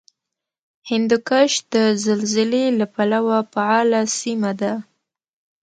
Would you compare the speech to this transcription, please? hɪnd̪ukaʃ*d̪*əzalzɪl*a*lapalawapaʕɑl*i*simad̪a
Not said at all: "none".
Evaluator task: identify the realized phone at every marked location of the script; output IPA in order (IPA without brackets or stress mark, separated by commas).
d̪, e, a